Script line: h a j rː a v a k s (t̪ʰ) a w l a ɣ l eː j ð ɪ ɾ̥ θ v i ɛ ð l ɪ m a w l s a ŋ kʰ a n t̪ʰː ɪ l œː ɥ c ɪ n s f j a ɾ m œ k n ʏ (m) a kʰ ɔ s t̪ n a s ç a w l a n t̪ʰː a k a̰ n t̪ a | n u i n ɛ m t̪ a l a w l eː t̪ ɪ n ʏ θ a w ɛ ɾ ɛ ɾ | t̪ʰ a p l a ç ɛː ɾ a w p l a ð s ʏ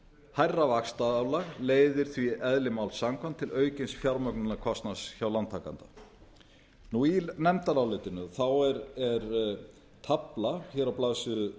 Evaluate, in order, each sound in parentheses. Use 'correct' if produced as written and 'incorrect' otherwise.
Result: incorrect: t̪, incorrect: n

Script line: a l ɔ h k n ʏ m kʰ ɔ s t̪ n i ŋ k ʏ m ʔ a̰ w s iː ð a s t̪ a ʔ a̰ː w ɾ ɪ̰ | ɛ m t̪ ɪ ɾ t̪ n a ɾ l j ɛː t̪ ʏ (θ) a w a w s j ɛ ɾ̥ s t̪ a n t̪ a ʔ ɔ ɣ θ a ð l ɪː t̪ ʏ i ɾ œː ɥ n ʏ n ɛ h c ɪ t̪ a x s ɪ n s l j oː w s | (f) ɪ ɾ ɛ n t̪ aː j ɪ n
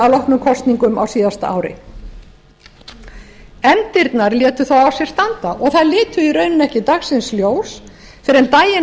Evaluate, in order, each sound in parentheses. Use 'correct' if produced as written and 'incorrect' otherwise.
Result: correct, correct

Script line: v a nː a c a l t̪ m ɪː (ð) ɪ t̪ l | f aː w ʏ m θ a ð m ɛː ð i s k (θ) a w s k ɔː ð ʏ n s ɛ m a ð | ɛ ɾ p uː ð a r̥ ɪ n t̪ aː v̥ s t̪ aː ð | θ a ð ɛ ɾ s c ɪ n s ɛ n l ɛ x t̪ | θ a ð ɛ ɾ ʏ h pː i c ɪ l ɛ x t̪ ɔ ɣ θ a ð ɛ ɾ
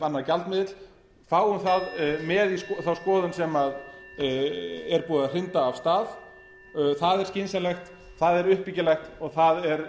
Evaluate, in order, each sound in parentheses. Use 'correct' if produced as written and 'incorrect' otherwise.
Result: correct, correct

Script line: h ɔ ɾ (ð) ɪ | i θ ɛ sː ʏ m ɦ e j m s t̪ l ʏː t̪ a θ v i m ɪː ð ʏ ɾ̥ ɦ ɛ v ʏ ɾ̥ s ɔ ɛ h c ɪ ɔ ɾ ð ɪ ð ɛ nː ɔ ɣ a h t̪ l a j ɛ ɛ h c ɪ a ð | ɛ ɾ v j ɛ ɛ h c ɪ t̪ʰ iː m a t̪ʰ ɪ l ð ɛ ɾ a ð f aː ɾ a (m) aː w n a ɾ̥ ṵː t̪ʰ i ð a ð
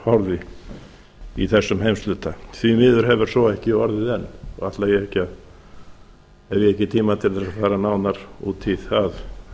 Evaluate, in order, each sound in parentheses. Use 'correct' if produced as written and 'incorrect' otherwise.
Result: correct, incorrect: n

